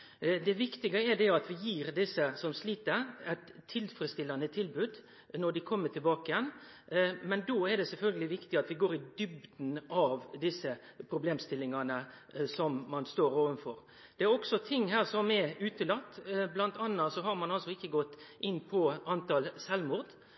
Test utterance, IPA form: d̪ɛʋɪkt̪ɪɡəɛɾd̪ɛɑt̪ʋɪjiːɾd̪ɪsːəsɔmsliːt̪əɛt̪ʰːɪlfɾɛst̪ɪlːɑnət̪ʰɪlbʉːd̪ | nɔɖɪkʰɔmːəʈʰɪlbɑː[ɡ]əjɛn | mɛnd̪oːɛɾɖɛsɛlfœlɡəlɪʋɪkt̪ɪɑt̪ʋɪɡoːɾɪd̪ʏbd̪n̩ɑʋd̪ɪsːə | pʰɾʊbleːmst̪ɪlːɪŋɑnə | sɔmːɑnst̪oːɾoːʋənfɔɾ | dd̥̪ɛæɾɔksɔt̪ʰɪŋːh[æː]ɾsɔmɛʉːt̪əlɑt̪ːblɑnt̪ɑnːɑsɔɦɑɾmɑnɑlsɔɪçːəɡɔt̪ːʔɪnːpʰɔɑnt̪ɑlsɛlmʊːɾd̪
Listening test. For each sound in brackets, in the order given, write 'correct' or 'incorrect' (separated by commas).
incorrect, correct